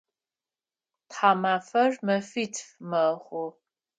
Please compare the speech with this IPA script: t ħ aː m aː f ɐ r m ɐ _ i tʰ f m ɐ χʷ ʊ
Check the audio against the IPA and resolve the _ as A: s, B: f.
B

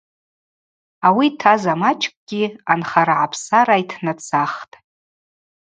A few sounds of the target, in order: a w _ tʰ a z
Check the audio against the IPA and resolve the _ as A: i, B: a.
A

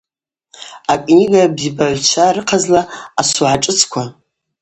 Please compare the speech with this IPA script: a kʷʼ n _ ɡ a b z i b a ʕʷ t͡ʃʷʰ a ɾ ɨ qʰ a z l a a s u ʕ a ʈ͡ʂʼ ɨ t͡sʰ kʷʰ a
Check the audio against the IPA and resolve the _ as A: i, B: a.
A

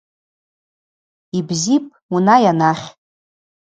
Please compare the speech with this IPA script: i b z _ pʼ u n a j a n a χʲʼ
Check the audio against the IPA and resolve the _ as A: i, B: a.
A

